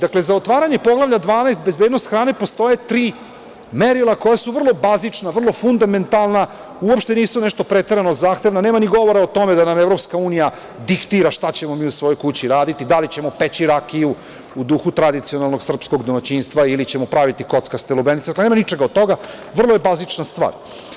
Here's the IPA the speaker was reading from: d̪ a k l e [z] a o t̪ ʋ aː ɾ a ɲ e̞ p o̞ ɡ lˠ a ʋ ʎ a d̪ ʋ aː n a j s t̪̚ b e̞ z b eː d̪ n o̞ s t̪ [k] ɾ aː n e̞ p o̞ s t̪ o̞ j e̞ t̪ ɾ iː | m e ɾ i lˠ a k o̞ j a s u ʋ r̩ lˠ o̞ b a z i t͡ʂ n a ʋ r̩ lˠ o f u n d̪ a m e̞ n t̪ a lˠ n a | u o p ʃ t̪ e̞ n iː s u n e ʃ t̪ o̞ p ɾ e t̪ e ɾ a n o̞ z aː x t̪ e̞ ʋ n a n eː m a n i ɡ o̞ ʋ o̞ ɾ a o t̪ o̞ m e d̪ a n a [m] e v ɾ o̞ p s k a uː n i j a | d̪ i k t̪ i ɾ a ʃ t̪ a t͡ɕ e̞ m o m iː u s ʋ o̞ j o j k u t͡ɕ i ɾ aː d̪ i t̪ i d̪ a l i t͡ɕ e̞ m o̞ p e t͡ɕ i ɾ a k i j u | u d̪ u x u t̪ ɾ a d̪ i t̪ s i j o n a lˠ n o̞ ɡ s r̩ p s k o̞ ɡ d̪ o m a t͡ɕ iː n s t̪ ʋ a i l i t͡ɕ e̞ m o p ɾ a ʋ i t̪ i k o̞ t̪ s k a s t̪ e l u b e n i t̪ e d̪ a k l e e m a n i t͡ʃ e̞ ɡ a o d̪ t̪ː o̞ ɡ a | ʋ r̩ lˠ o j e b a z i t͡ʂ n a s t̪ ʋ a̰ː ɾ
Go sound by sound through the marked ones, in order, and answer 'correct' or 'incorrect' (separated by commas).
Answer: correct, incorrect, correct